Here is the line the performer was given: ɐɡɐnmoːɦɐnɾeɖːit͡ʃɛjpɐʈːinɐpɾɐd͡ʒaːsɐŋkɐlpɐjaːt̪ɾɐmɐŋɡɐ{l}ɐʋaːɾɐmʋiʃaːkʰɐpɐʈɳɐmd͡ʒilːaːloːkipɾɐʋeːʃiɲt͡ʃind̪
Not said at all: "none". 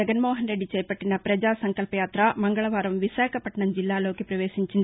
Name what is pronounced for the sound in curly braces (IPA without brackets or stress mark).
ɭ